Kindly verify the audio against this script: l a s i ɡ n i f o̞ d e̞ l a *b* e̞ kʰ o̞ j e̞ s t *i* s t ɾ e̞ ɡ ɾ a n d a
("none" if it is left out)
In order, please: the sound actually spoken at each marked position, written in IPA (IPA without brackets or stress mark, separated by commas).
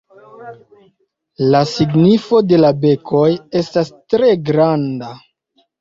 b, a